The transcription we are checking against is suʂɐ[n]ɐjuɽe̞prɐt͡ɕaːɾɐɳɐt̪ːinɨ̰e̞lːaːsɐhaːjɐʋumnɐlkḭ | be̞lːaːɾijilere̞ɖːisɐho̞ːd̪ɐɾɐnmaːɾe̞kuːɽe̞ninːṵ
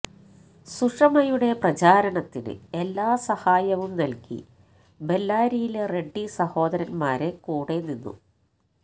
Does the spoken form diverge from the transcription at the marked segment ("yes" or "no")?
yes